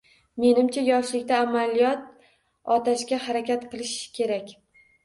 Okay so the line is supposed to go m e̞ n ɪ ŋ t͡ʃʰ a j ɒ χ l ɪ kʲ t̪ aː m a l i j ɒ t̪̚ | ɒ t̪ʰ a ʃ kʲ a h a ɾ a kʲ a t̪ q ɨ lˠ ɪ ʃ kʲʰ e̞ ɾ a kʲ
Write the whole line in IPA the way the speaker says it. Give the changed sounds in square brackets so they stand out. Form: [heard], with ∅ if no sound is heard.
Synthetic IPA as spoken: m e̞ n ɪ [m] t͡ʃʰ a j ɒ [ʃ] l ɪ kʲ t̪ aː m a l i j ɒ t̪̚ | ɒ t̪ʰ a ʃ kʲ a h a ɾ a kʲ a t̪ q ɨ lˠ ɪ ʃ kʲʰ e̞ ɾ a kʲ